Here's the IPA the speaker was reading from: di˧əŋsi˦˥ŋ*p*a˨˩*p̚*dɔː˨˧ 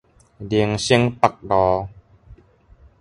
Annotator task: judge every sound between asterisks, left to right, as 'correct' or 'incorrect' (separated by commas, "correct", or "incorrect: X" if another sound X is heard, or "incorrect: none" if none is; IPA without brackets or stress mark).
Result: correct, incorrect: k̚